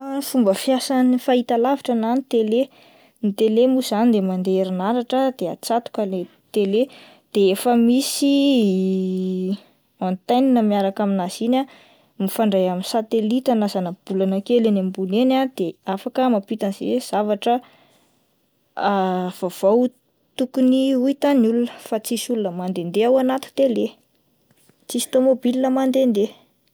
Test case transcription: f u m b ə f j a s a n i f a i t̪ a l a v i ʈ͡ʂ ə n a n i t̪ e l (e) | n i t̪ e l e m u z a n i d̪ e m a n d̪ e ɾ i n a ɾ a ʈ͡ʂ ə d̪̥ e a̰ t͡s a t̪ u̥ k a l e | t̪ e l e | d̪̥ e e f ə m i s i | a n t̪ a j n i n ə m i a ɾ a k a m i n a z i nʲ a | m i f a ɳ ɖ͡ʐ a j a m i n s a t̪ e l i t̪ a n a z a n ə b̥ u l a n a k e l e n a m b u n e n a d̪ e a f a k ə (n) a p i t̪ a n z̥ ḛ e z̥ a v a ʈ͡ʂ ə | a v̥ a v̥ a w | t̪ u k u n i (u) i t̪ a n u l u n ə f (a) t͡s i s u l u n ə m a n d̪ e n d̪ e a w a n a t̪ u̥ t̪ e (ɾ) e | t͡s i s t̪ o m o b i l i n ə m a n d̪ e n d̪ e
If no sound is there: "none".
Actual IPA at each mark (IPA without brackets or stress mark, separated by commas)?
e, m, u, a, l